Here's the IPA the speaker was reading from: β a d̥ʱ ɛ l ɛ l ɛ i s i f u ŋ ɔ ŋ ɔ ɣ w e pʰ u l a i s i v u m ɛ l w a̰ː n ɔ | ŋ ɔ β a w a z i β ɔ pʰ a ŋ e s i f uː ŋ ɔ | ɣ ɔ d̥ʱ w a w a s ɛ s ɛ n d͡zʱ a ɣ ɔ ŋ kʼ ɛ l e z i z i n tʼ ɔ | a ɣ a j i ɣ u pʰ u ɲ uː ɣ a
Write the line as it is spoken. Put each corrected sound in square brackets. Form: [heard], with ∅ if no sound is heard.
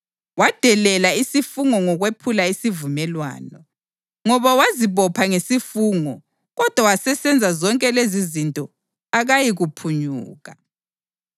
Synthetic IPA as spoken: [w] a d̥ʱ ɛ l ɛ l [a] i s i f u ŋ ɔ ŋ ɔ ɣ w e pʰ u l a i s i v u m ɛ l w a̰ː n ɔ | ŋ ɔ β a w a z i β ɔ pʰ a ŋ e s i f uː ŋ ɔ | ɣ ɔ d̥ʱ w a w a s ɛ s ɛ n d͡zʱ a [z] ɔ ŋ kʼ ɛ l e z i z i n tʼ ɔ | a ɣ a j i ɣ u pʰ u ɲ uː ɣ a